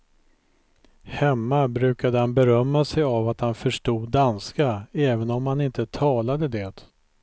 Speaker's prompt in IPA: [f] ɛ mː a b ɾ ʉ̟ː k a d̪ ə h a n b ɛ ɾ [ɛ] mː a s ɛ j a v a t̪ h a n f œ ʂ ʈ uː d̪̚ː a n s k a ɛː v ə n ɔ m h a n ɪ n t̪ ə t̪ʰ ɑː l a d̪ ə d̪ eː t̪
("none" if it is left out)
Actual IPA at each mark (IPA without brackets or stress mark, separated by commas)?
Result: h, œ